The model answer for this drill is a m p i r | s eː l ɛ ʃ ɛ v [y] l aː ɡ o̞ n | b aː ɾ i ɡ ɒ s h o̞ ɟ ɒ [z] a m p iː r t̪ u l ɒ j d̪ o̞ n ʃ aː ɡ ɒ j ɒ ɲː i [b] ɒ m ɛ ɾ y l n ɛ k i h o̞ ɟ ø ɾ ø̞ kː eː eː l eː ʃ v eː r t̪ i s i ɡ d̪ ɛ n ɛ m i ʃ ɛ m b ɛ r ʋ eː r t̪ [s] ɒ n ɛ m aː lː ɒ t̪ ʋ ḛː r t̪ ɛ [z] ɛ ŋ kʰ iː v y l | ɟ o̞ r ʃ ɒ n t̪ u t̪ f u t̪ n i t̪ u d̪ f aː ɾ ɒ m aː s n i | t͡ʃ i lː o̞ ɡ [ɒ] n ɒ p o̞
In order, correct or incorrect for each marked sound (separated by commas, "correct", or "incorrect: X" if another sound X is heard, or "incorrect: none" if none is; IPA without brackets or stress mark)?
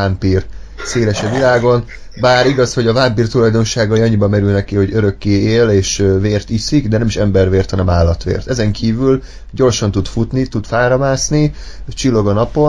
incorrect: i, incorrect: v, correct, incorrect: h, correct, correct